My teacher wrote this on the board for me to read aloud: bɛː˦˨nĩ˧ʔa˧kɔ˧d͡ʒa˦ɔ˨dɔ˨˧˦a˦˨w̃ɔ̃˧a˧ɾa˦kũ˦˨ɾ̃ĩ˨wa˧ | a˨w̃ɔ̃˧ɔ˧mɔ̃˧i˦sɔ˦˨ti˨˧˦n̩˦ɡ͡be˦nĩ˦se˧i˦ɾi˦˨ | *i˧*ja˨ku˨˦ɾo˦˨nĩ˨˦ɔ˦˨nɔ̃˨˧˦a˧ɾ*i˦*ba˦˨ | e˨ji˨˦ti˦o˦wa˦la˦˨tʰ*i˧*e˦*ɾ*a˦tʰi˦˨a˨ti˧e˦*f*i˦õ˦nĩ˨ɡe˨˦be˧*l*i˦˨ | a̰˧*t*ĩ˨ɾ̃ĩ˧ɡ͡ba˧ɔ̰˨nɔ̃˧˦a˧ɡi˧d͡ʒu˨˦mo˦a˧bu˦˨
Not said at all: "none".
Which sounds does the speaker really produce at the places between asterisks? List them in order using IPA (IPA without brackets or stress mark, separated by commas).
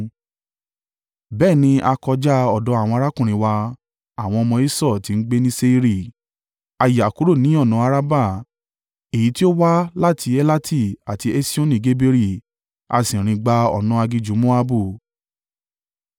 a˧, a˦, i˧, l, s, ɾ, s